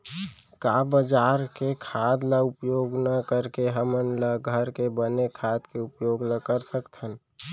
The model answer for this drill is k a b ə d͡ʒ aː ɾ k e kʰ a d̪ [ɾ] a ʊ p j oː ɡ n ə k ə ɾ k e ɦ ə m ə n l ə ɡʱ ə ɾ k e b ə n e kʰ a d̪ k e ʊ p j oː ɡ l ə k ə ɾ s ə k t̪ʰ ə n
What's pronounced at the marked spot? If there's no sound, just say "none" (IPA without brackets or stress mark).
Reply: l